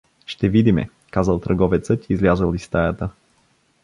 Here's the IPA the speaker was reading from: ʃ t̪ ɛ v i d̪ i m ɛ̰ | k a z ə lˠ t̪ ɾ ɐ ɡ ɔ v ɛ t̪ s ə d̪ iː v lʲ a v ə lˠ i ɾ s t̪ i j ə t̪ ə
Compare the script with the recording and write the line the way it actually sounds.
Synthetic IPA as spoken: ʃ t̪ ɛ v i d̪ i m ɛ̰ | k a z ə lˠ t̪ ɾ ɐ ɡ ɔ v ɛ t̪ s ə t̪ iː z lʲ a z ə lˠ i s t̪ a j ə t̪ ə